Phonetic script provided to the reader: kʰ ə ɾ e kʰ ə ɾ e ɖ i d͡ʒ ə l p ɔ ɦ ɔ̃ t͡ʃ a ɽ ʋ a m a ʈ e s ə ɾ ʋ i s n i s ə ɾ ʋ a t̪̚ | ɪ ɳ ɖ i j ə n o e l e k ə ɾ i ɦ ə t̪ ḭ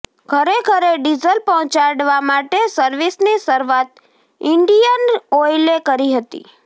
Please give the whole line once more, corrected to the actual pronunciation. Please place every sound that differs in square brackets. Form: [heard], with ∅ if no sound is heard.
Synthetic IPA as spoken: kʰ ə ɾ e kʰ ə ɾ e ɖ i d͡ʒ ə l p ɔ ɦ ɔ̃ t͡ʃ a ɽ ʋ a m a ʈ e s ə ɾ ʋ i s n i s ə ɾ ʋ a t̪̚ | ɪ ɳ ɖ i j ə n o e l e k ə ɾ i ɦ ə t̪ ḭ